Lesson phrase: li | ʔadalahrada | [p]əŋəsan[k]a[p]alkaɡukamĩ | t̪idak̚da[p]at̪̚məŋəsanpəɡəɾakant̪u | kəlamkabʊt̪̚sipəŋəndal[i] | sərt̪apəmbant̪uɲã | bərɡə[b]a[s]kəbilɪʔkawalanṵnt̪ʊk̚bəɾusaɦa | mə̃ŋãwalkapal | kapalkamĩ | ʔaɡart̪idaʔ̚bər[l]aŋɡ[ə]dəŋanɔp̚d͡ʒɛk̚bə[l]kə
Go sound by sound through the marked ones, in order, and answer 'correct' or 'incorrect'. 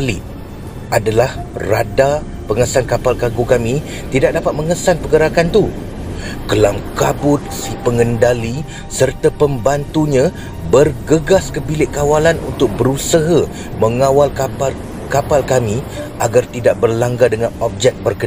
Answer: correct, correct, correct, correct, correct, incorrect: ɡ, correct, correct, incorrect: a, incorrect: r

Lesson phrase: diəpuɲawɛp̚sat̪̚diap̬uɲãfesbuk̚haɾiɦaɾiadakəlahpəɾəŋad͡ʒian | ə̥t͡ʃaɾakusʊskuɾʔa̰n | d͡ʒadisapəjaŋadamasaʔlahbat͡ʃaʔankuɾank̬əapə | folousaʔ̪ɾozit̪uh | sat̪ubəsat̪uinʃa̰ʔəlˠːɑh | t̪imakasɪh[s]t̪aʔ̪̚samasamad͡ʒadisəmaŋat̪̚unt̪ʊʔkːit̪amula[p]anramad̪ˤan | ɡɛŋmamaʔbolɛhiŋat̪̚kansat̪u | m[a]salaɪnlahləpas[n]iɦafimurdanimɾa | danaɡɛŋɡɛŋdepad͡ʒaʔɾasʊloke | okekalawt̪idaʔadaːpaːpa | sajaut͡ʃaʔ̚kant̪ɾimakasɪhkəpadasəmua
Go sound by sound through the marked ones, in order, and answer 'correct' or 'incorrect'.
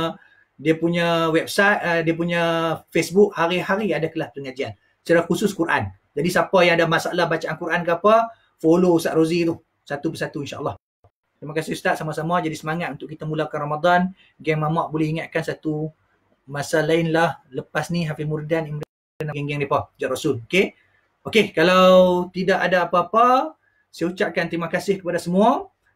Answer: correct, incorrect: k, correct, correct

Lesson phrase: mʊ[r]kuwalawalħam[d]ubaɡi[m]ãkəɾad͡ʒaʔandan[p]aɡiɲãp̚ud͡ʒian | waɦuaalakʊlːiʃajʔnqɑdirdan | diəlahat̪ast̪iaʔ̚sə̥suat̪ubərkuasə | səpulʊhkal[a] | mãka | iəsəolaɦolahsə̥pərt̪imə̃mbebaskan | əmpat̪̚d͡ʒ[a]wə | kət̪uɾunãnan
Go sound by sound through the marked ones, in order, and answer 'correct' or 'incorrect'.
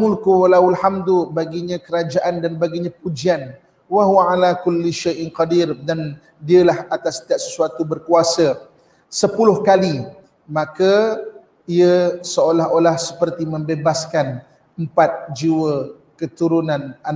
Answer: incorrect: l, correct, incorrect: ɲ, incorrect: b, incorrect: i, incorrect: i

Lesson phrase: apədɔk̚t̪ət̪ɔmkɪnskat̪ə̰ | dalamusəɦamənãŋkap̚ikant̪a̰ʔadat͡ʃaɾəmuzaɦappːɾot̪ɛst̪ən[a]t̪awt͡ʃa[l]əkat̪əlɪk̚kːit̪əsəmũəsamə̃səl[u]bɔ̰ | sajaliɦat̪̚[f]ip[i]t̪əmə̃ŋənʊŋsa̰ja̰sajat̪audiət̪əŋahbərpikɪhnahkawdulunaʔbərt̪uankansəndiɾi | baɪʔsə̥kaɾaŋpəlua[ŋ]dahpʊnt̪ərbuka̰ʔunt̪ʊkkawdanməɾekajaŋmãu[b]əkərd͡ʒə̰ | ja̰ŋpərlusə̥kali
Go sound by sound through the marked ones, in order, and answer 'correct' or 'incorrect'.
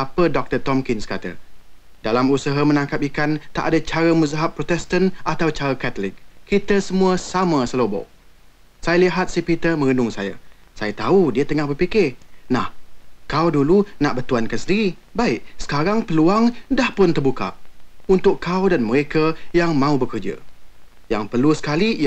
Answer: correct, incorrect: ɾ, incorrect: o, incorrect: s, correct, correct, correct

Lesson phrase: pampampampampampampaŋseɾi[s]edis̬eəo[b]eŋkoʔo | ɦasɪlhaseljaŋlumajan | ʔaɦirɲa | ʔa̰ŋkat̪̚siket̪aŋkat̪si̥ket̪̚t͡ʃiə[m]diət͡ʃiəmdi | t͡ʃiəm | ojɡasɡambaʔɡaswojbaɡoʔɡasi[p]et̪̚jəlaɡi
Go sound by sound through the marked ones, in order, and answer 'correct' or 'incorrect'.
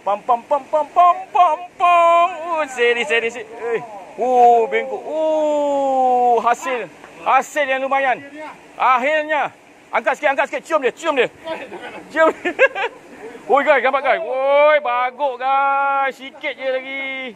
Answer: correct, correct, correct, incorrect: k

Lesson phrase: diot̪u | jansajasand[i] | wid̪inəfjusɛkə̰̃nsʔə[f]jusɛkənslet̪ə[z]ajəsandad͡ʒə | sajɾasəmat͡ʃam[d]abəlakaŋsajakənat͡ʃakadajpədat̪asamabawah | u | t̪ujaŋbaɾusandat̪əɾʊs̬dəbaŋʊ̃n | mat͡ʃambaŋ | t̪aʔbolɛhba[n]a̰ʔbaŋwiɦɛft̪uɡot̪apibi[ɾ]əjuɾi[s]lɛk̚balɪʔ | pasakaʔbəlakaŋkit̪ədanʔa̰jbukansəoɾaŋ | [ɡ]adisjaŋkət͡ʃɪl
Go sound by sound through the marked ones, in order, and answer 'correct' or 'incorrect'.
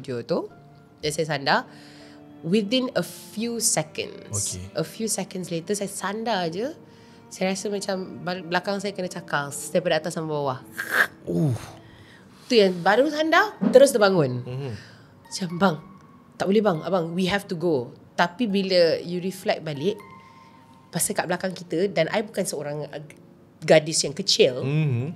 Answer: incorrect: a, correct, incorrect: s, incorrect: b, incorrect: ŋ, incorrect: l, incorrect: f, correct

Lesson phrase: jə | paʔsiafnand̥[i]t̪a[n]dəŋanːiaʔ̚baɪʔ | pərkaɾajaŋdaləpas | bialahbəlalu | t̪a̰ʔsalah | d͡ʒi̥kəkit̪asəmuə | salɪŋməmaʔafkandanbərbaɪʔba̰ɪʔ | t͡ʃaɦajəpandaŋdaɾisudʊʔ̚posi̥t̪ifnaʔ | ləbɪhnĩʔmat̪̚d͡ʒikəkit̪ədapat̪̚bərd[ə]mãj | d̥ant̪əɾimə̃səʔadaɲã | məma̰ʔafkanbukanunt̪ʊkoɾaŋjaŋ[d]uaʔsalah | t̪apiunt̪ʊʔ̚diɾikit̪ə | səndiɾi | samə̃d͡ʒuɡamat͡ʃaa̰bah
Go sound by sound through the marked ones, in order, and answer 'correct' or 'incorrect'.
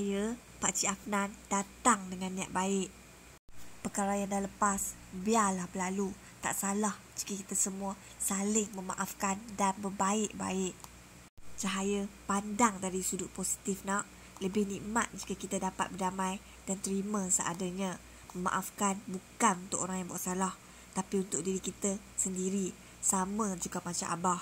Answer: incorrect: a, incorrect: ŋ, incorrect: a, incorrect: b

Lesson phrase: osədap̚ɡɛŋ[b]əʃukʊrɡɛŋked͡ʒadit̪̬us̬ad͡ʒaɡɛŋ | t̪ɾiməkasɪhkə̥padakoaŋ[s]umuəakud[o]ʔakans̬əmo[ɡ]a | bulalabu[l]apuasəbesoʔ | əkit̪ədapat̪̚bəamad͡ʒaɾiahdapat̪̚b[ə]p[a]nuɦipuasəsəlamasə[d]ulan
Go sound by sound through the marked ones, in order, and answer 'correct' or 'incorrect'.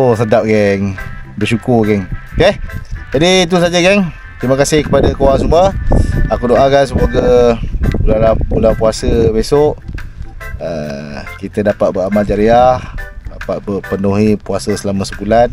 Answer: correct, correct, correct, correct, correct, correct, incorrect: ə, incorrect: b

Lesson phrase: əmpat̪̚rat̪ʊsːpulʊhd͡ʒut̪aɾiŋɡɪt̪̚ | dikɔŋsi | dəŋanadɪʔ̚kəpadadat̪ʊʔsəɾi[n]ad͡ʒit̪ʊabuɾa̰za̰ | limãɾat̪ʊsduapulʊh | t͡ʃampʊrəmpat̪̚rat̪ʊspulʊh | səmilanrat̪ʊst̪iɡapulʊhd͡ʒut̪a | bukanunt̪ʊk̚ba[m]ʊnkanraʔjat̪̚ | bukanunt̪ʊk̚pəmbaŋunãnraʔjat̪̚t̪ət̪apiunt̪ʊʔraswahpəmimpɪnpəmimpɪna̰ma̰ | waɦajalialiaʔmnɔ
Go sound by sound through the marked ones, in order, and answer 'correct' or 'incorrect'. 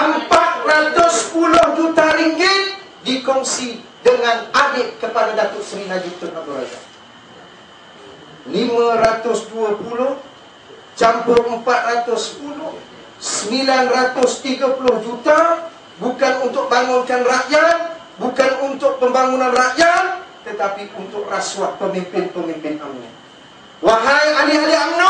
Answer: correct, incorrect: ŋ

